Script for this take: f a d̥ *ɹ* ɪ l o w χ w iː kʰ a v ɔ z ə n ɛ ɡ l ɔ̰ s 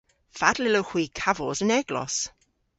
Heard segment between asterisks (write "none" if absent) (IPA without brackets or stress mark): l